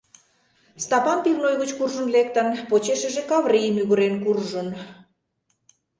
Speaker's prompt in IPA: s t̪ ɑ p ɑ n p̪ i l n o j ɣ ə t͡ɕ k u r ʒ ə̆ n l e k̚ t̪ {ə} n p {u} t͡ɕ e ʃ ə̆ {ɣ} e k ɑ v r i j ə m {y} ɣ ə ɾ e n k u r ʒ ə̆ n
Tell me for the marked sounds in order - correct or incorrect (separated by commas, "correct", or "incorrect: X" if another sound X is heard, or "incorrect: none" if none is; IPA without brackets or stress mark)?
correct, incorrect: o, incorrect: ʒ, correct